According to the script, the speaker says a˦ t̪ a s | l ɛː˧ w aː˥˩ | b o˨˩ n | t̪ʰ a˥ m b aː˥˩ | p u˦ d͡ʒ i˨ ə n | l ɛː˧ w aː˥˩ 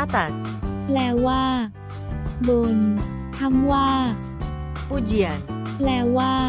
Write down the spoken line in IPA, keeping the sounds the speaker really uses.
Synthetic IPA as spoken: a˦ t̪ a s | l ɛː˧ w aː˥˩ | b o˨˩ n | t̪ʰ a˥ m w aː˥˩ | p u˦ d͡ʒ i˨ a n | l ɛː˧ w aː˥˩